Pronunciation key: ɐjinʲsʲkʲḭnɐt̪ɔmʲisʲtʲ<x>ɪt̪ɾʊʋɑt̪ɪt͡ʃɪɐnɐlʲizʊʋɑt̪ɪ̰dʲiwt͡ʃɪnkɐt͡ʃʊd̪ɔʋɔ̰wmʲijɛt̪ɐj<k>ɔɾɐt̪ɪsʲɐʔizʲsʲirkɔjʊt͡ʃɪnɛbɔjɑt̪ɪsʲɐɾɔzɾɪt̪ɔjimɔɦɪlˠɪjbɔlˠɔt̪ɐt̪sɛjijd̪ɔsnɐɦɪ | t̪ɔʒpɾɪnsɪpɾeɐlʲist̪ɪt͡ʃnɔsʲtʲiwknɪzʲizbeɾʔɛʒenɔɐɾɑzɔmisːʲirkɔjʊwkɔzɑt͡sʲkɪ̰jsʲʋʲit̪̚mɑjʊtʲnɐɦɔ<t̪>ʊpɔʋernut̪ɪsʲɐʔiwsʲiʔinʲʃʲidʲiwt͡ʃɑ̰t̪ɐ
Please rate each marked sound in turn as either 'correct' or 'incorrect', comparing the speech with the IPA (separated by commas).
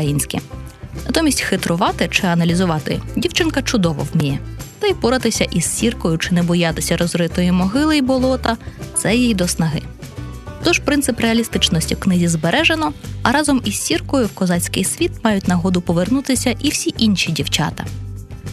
correct, incorrect, incorrect